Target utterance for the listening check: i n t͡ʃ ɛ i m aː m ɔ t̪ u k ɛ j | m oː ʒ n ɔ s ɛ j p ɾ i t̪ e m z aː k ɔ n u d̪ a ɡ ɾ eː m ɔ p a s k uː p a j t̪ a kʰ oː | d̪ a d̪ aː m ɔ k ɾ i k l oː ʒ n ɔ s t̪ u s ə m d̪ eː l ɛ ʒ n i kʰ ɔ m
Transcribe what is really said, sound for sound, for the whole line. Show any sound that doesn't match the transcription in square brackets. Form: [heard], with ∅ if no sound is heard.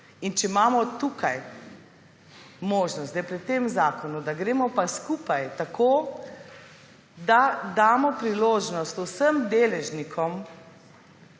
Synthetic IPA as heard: i n t͡ʃ ɛ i m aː m ɔ t̪ u k [a] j | m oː ʒ n ɔ s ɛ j p ɾ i t̪ e m z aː k ɔ n u d̪ a ɡ ɾ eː m ɔ p a s k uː p a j t̪ a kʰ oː | d̪ a d̪ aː m ɔ [p] ɾ i [∅] l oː ʒ n ɔ s t̪ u s ə m d̪ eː l ɛ ʒ n i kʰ ɔ m

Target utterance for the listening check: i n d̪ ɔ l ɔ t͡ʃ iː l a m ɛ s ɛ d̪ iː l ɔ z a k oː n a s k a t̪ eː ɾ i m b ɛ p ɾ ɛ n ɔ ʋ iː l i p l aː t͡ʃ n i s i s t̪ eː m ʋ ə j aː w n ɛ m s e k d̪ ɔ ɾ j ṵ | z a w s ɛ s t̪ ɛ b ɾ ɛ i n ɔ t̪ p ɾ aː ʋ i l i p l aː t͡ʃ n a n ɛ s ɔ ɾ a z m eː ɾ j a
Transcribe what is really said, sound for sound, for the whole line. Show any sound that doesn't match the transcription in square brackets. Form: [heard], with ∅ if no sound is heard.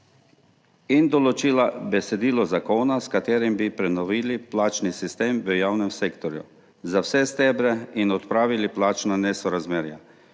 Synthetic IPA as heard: i n d̪ ɔ l ɔ t͡ʃ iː l a [b] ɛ s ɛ d̪ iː l ɔ z a k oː n a s k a t̪ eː ɾ i m b [i] p ɾ ɛ n ɔ ʋ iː l i p l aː t͡ʃ n i s i s t̪ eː m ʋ ə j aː w n ɛ m s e k [t̪] ɔ ɾ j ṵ | z a w s ɛ s t̪ ɛ b ɾ ɛ i n ɔ t̪ p ɾ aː ʋ i l i p l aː t͡ʃ n a n ɛ s ɔ ɾ a z m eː ɾ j a

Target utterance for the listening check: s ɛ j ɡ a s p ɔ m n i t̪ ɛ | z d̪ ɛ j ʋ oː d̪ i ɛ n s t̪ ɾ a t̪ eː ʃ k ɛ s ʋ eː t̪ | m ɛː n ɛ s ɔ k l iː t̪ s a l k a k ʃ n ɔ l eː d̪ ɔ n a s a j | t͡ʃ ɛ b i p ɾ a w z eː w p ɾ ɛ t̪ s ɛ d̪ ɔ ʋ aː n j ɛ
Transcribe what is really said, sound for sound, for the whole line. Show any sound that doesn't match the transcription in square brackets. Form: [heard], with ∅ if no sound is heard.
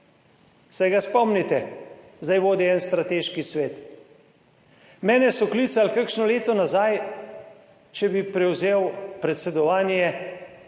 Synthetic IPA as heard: s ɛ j ɡ a s p ɔ m n i t̪ ɛ | z d̪ [a] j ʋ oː d̪ i ɛ n s t̪ ɾ a t̪ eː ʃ k [i] s ʋ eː t̪ | m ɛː n ɛ s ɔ k l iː t̪ s a l k a k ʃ n ɔ l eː [t̪] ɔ n a [z] a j | t͡ʃ ɛ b i p ɾ [ɛ] w z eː w p ɾ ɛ t̪ s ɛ d̪ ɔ ʋ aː n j ɛ

